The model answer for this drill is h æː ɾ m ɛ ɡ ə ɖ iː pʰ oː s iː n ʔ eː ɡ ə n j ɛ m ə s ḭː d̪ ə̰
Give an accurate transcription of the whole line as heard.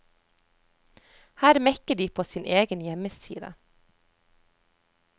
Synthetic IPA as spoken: h æː ɾ m ɛ k ə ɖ iː pʰ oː s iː n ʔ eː ɡ ə n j ɛ m ə s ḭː d̪ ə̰